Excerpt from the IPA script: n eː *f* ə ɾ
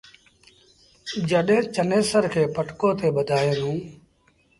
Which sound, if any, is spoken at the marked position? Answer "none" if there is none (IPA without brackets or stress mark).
s